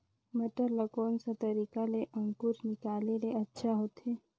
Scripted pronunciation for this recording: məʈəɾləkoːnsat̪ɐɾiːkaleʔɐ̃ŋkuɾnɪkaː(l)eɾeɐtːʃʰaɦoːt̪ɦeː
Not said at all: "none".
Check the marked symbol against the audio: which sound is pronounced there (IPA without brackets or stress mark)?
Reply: l